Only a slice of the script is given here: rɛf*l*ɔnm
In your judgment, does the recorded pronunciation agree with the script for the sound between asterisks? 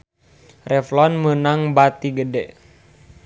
yes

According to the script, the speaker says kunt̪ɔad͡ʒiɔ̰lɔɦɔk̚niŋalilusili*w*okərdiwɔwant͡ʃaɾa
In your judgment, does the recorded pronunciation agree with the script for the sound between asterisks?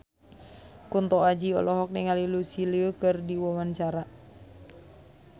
no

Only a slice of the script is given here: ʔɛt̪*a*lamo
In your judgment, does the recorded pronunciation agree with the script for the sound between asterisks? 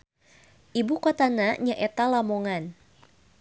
yes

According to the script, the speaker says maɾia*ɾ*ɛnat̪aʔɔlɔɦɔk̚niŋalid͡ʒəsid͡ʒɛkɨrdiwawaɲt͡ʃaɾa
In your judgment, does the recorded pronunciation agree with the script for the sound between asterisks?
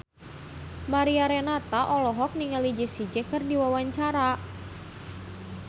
yes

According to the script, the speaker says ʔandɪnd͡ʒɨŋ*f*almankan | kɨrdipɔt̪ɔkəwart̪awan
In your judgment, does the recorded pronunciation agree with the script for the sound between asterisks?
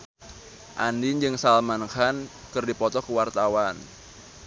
no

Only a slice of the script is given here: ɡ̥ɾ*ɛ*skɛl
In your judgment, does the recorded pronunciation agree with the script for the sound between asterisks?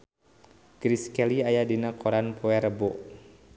no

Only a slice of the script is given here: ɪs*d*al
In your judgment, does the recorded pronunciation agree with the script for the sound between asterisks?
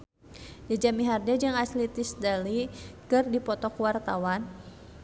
yes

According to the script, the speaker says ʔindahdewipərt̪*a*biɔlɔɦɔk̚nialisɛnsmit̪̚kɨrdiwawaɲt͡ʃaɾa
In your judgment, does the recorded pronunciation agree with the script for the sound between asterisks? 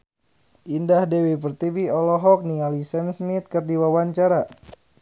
no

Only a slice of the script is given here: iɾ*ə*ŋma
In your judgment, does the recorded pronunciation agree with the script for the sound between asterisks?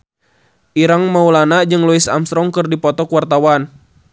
no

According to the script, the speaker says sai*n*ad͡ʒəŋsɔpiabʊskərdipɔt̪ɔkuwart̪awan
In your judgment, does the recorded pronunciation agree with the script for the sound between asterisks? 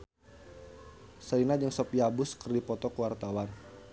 yes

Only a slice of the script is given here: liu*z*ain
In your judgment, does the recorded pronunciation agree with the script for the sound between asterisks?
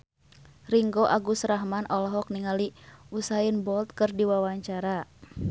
no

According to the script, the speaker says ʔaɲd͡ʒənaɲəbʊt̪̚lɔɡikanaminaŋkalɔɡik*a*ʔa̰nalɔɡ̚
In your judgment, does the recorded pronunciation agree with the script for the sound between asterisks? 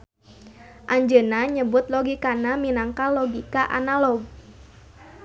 yes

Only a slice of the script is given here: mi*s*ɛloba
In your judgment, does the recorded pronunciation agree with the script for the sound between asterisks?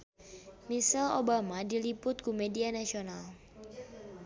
yes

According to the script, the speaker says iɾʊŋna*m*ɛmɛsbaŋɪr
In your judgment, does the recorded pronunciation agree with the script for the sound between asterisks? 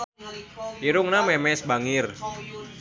yes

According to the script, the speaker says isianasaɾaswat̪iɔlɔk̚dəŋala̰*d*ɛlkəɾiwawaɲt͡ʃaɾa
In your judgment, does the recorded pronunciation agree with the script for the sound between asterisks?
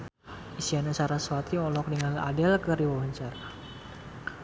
yes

